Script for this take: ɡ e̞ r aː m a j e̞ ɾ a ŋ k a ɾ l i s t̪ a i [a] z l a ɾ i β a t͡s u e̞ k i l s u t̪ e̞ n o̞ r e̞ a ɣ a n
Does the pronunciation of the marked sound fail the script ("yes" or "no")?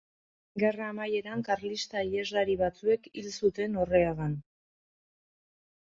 yes